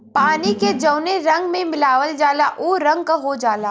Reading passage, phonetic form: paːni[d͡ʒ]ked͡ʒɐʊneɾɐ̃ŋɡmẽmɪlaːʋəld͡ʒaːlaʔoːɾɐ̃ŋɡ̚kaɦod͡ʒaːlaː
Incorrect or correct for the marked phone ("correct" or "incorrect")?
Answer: incorrect